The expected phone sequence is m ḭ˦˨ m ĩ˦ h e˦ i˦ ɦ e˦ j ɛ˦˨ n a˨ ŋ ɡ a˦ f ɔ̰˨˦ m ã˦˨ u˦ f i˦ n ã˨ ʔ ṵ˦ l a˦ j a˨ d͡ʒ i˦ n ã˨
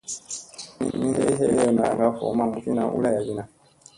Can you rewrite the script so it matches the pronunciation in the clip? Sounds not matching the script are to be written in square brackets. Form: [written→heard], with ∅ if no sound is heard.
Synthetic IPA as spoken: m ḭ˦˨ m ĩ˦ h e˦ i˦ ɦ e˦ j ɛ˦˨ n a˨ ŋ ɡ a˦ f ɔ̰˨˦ m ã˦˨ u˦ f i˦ n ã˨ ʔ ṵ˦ l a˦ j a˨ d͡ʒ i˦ n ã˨